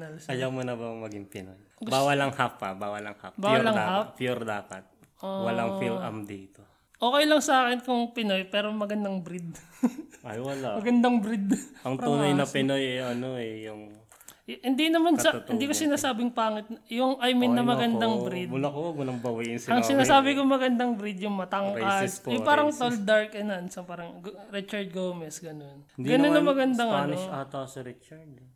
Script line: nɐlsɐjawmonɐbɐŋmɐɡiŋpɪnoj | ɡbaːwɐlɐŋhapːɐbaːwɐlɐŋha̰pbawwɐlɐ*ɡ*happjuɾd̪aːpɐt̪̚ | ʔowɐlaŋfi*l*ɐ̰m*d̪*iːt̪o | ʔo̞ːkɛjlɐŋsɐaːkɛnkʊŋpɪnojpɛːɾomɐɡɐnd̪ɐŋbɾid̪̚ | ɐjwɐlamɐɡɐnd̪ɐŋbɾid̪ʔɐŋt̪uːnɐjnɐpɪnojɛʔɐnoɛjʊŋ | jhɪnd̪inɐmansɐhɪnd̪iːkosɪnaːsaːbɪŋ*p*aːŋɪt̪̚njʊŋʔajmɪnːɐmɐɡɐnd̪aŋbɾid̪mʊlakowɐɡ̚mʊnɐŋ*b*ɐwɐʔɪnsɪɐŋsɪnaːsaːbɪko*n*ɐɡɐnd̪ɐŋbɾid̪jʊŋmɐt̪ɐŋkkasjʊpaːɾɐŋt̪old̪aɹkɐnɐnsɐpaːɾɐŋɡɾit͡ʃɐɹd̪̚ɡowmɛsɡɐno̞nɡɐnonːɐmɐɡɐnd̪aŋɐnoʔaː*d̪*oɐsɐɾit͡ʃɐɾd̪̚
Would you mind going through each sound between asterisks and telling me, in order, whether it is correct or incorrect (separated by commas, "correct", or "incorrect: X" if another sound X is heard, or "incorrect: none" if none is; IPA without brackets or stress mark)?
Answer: incorrect: ŋ, correct, correct, correct, correct, incorrect: m, incorrect: t̪